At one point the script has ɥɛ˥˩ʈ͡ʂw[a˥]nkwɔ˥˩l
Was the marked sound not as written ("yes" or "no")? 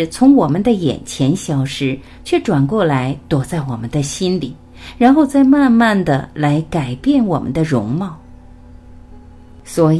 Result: yes